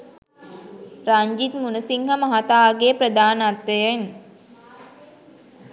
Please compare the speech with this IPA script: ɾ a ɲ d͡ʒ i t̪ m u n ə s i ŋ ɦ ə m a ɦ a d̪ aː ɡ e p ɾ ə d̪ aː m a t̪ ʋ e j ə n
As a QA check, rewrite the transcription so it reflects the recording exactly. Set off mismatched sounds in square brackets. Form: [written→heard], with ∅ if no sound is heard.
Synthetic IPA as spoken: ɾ a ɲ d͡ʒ i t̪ m u n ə s i ŋ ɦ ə m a ɦ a [d̪→t̪] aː ɡ e p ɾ ə d̪ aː [m→n] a t̪ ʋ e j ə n